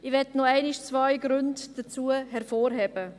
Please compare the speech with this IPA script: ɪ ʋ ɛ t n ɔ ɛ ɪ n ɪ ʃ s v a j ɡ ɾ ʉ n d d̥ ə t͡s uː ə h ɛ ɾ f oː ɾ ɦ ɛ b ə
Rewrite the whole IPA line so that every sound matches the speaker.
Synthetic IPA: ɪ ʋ ɛ t n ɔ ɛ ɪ n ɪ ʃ t͡s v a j ɡ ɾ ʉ n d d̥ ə t͡s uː ə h ɛ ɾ f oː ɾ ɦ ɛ b ə